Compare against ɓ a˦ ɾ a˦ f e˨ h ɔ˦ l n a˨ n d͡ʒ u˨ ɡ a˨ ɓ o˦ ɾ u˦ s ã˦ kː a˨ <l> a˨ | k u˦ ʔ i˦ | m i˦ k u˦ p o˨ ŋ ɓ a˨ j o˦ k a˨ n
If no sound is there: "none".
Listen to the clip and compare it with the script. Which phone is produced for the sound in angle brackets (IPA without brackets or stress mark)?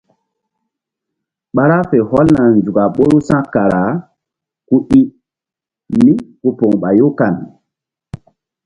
ɾ